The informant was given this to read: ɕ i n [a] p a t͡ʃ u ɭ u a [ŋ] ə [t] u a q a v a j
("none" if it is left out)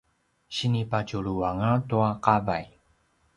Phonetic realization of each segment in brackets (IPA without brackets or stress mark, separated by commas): i, ŋ, t